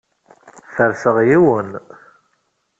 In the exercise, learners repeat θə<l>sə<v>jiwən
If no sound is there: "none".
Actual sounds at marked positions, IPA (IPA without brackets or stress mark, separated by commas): ɾ, ʁ